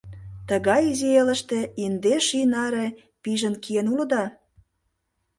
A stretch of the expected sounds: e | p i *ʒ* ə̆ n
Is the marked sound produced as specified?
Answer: yes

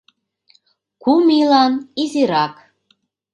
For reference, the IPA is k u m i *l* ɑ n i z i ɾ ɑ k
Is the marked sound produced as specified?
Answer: yes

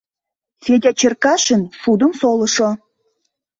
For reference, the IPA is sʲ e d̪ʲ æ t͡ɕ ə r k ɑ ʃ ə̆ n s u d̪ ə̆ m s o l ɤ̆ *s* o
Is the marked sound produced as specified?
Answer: no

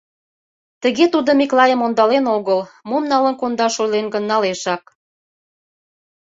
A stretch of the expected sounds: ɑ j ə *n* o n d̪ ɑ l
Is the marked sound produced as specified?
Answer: no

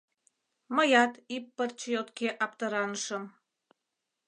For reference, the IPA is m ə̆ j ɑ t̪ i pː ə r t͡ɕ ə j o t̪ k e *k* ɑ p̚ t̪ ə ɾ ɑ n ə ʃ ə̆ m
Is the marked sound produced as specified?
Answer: no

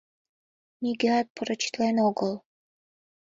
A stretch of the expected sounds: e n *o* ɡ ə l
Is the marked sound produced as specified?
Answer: yes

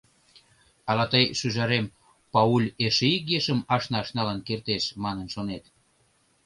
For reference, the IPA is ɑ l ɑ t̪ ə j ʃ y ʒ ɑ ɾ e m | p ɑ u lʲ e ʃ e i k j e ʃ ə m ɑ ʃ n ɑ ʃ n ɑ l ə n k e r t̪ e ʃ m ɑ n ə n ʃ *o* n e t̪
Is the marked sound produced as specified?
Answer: yes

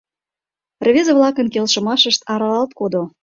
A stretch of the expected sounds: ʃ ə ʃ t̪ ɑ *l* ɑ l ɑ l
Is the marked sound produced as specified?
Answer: no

